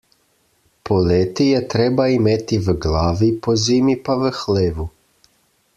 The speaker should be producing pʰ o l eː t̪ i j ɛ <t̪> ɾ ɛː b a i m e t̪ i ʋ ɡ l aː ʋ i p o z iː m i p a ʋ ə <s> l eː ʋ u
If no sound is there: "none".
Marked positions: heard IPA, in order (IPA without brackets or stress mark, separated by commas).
t̪, x